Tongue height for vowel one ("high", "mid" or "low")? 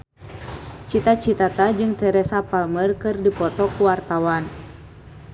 high